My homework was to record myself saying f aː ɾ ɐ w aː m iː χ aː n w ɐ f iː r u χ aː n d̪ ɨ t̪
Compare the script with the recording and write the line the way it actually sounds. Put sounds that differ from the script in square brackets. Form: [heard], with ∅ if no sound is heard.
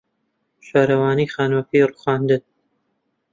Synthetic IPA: [ʃ] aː ɾ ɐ w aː [n] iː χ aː n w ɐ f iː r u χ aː n d̪ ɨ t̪